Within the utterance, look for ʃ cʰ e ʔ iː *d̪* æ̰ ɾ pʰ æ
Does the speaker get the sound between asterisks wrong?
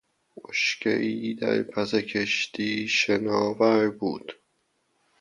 no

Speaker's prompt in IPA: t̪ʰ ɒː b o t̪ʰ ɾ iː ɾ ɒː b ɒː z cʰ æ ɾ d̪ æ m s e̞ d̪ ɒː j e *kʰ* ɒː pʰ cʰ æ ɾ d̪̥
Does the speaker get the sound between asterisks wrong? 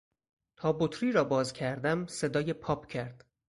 yes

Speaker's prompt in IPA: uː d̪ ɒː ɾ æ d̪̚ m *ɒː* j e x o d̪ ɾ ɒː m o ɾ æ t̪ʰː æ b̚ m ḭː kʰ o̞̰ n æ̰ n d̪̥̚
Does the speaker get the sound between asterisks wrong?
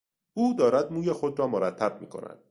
yes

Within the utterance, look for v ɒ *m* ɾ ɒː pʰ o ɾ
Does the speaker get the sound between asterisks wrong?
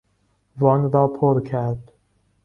yes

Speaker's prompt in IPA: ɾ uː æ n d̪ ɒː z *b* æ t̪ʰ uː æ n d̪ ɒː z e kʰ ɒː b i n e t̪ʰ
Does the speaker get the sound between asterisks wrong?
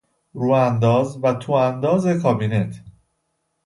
yes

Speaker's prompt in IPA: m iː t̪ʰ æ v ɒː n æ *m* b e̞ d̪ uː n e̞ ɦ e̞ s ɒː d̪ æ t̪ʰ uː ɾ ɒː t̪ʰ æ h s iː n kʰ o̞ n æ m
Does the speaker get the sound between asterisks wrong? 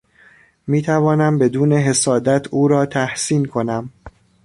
no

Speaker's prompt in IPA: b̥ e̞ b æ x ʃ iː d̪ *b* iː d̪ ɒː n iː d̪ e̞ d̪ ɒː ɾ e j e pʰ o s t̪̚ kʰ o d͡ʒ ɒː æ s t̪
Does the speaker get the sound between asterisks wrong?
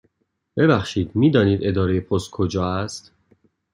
yes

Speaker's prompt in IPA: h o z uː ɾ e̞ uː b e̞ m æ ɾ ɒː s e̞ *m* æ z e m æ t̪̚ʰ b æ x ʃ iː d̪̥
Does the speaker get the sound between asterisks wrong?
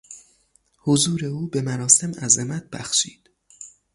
no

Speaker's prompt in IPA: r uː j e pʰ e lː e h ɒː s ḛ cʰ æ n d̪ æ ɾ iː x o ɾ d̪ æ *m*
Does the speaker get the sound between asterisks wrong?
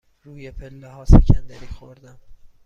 no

